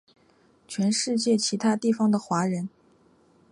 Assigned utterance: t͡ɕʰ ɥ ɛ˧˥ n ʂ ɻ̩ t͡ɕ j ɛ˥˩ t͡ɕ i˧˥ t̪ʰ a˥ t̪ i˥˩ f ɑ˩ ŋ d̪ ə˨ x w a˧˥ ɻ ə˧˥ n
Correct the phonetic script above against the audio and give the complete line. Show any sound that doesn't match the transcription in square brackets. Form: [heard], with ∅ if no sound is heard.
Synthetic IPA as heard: t͡ɕʰ ɥ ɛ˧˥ n ʂ ɻ̩ t͡ɕ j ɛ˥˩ [t͡ɕʰ] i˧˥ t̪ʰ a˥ t̪ i˥˩ f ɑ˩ ŋ d̪ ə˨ x w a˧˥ ɻ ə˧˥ n